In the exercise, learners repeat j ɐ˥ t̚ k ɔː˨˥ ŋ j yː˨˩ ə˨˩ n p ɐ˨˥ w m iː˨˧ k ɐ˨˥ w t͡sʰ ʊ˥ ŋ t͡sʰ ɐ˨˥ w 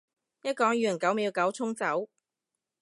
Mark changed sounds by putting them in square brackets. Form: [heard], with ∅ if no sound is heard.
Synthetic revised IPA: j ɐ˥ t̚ k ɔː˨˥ ŋ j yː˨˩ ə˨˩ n [k] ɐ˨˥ w m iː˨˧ k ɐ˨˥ w t͡sʰ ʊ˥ ŋ [t͡s] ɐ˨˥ w